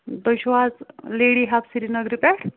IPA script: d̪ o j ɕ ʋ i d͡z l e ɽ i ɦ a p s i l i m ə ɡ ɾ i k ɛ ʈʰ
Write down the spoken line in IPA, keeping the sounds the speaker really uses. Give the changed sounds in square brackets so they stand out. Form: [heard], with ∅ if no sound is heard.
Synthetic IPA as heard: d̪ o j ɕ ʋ [a] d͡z l e ɽ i ɦ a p s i [ɾ] i [n] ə ɡ ɾ i [p] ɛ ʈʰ

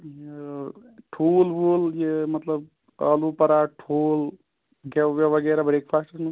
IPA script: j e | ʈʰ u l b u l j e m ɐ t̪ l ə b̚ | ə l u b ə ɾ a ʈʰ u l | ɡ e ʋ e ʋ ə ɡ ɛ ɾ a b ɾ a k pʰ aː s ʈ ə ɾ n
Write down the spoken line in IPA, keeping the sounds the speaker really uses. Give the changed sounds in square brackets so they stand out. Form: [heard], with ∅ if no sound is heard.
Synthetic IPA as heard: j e | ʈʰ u l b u l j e m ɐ t̪ l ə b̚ | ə l u [p] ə ɾ a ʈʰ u l | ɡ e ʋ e ʋ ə ɡ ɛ ɾ a b ɾ [e] k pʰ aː s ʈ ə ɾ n

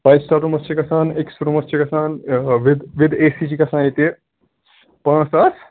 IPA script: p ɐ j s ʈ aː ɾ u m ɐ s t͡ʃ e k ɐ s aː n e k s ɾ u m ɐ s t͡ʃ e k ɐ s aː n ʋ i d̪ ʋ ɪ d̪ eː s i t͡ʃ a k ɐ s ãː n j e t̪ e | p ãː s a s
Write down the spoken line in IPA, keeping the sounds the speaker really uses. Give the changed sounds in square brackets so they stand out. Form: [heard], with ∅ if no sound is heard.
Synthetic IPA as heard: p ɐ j s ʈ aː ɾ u m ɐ s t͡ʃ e k ɐ s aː n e k s ɾ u m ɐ s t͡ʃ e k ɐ s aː n ʋ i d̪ ʋ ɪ d̪ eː s i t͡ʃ [i] k ɐ s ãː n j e t̪ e | p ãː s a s

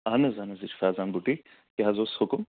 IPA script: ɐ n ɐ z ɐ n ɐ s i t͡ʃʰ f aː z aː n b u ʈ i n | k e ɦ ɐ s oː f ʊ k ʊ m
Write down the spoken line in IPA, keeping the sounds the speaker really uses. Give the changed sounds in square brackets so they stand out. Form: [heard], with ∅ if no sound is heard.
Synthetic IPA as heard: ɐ n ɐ z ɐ n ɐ [z] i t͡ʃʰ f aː z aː n b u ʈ i [∅] | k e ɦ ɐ [z] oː [s] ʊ k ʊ m

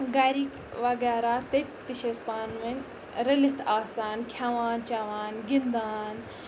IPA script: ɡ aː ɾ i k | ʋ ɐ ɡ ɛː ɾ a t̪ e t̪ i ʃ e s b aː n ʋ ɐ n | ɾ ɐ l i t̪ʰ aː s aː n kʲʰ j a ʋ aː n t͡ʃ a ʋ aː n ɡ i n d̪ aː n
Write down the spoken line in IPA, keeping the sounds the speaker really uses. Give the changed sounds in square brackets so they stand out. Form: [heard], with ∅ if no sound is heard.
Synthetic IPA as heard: ɡ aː ɾ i k | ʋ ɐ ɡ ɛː ɾ a t̪ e t̪ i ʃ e s [p] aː n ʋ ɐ n | ɾ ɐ l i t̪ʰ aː s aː n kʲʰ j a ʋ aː n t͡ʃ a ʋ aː n ɡ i n d̪ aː n

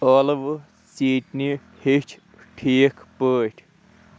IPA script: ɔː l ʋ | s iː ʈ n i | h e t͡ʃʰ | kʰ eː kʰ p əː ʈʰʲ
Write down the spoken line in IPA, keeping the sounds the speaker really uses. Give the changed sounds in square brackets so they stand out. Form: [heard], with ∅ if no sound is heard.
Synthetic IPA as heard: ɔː l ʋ | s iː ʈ n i | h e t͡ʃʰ | [ʈʰ] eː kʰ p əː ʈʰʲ

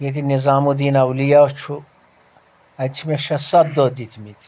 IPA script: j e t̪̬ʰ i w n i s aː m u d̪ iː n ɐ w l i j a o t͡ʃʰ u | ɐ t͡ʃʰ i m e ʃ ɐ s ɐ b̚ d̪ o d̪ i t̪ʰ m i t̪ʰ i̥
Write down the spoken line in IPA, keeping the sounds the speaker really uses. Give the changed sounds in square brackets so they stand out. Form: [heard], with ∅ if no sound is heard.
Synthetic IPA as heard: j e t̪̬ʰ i [∅] n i [z] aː m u d̪ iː n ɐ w l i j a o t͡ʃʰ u | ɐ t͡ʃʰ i m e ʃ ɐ s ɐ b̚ d̪ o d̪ i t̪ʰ m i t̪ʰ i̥

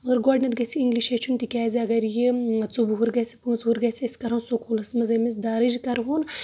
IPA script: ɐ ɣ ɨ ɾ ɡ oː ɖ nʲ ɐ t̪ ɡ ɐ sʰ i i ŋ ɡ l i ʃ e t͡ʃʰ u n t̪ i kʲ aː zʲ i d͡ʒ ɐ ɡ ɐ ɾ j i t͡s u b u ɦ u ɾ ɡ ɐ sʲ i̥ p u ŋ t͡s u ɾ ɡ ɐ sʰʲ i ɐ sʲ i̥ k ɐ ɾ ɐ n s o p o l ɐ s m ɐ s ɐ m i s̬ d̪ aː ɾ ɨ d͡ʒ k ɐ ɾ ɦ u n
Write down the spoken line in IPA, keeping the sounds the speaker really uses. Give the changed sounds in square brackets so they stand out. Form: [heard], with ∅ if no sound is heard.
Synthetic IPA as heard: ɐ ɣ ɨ ɾ ɡ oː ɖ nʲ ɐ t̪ ɡ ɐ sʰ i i ŋ ɡ l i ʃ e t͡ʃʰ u n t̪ i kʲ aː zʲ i [∅] ɐ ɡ ɐ ɾ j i t͡s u b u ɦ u ɾ ɡ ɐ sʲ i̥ p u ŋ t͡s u ɾ ɡ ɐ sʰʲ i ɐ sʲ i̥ k ɐ ɾ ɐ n s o [k] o l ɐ s m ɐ [z] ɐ m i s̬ d̪ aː ɾ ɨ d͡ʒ k ɐ ɾ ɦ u n

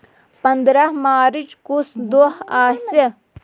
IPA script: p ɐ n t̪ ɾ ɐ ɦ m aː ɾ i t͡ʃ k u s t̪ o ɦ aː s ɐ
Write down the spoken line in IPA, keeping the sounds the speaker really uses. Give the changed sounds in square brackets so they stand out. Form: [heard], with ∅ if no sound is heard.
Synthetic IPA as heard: p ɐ n [d̪] ɾ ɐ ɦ m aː ɾ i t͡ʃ k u s [d̪] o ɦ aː s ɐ

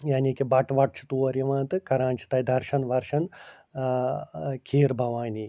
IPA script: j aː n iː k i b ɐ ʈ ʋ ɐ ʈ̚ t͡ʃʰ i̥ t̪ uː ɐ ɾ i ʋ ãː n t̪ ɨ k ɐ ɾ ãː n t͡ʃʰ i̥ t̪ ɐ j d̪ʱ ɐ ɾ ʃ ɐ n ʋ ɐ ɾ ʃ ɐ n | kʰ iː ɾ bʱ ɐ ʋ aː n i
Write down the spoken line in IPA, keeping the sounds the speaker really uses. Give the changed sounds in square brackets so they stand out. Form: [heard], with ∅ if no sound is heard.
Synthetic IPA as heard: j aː n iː k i b ɐ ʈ ʋ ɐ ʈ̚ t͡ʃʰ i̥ t̪ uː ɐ ɾ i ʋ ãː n t̪ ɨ k ɐ ɾ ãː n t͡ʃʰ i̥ t̪ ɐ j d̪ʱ ɐ ɾ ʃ ɐ n ʋ ɐ ɾ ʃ ɐ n | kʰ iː ɾ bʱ ɐ ʋ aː n i

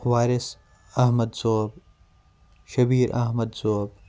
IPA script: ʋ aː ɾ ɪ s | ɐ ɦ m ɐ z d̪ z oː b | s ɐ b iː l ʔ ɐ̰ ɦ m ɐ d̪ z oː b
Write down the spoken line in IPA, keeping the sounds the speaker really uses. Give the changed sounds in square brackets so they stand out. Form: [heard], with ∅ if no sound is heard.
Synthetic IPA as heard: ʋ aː ɾ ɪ s | ɐ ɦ m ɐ [∅] d̪ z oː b | [ʃ] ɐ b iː [ɾ] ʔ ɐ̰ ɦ m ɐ d̪ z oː b

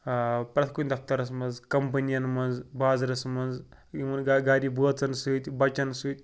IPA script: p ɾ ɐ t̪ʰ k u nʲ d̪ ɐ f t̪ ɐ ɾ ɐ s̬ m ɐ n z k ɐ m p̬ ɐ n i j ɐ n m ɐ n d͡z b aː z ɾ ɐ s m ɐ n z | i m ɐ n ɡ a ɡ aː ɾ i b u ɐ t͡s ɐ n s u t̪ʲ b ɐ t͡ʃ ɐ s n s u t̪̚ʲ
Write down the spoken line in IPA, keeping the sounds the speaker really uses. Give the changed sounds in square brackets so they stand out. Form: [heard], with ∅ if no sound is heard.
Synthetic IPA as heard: p ɾ ɐ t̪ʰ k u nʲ d̪ ɐ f t̪ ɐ ɾ ɐ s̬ m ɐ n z k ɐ m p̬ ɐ n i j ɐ n m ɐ n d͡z b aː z ɾ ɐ s m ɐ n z | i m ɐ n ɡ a ɡ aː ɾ i b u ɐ t͡s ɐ n s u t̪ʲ b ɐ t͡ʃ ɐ [∅] n s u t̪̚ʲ

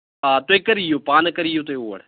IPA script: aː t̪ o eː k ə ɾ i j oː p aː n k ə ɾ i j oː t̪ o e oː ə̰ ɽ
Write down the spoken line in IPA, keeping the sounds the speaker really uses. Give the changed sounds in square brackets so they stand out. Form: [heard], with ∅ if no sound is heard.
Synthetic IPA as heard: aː t̪ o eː k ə ɾ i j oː p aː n k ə ɾ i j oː t̪ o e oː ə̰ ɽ

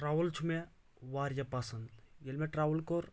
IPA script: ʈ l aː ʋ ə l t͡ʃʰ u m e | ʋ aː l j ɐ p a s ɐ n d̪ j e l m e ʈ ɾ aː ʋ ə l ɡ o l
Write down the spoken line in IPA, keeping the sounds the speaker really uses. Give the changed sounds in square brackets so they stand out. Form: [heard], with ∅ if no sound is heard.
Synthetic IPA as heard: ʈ [ɾ] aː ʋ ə l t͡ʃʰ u m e | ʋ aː [ɾ] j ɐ p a s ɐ n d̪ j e l m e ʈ ɾ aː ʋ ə l [k] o [ɾ]

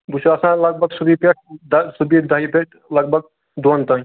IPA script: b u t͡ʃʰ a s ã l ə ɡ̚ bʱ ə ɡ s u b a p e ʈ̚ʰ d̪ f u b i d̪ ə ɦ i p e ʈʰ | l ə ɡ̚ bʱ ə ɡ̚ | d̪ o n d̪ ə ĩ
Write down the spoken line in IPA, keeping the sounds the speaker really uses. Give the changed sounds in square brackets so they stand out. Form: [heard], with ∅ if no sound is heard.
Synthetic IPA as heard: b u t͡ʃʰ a s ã l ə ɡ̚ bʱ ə ɡ s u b [i] p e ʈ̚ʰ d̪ [s] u b i d̪ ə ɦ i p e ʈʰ | l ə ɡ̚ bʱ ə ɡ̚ | d̪ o n [t̪] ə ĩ

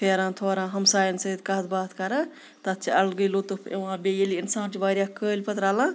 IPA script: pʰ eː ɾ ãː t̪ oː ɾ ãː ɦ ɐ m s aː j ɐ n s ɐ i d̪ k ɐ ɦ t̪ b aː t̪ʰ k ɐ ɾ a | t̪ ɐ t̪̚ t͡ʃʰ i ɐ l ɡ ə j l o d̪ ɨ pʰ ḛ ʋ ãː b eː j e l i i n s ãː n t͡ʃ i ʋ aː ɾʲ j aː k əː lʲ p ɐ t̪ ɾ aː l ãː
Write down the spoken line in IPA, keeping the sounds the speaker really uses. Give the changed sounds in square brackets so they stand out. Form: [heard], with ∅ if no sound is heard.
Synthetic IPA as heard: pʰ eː ɾ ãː [t̪ʰ] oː ɾ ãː ɦ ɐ m s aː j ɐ n s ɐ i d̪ k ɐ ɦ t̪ b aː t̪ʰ k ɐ ɾ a | t̪ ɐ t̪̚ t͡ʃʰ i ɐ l ɡ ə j l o [t̪] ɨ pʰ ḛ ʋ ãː b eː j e l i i n s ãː n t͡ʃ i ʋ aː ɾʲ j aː k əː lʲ p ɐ t̪ ɾ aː l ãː

